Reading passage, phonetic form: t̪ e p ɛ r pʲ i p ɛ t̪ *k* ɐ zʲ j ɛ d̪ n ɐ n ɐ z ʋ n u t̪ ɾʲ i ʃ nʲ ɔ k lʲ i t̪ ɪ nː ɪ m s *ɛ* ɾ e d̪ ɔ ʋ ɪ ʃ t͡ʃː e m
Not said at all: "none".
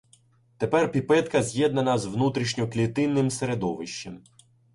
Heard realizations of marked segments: k, e

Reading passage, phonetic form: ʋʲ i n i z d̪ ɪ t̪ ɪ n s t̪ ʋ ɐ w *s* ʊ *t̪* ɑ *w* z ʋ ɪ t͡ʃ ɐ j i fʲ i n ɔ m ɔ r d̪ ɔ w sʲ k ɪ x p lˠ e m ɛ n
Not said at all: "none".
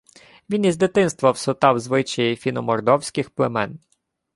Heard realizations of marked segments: s, t̪, w

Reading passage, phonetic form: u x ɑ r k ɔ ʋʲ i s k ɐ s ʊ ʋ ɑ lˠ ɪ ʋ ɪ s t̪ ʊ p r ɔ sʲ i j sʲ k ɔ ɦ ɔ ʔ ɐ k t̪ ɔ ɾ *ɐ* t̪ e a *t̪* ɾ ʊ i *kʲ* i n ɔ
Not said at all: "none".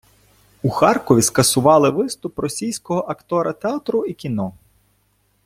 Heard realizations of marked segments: ɐ, t̪, kʲ

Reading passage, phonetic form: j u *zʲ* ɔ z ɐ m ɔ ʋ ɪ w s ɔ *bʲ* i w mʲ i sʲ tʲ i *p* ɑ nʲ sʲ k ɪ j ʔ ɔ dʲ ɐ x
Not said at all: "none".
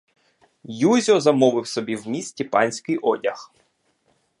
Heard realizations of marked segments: zʲ, bʲ, p

